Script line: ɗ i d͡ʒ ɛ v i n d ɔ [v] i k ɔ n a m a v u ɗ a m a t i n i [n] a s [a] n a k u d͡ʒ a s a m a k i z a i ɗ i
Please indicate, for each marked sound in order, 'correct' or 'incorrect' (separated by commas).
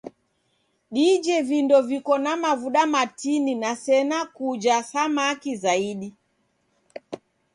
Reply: correct, correct, incorrect